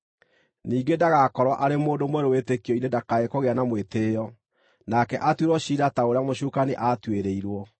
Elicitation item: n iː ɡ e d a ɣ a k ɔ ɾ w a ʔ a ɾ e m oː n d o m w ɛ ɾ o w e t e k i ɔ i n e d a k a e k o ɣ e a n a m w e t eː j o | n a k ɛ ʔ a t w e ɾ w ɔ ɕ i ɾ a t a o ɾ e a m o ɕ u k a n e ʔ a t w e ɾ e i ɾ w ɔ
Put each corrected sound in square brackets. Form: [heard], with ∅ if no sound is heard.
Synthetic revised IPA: n iː ɡ e d a ɣ a k ɔ ɾ w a ʔ a ɾ e m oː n d o m w ɛ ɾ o w e t e k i ɔ i n e d a k a e k o ɣ e a n a m w e t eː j [ɔ] | n a k ɛ ʔ a t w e ɾ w ɔ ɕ i ɾ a t a o ɾ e a m o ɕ u k a n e ʔ a t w e ɾ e i ɾ w ɔ